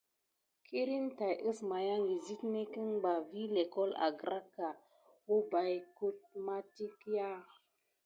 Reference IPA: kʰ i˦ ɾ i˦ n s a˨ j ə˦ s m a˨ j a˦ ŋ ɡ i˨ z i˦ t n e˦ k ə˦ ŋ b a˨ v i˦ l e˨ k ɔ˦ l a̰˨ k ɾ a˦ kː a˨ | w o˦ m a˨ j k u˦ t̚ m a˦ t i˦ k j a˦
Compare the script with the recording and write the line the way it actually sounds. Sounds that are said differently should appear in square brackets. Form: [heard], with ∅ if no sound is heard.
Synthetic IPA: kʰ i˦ ɾ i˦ n [t] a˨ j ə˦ s m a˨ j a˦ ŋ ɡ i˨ z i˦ t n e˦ k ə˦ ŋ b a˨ v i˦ l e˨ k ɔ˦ l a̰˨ [ɡ] ɾ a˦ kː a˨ | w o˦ [b] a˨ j k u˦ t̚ m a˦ t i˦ k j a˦